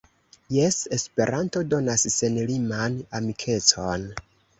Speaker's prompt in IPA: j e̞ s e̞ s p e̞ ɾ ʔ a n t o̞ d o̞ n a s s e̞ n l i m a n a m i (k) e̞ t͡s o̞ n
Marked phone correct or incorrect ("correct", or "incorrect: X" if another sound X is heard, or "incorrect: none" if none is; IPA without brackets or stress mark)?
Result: incorrect: kʰ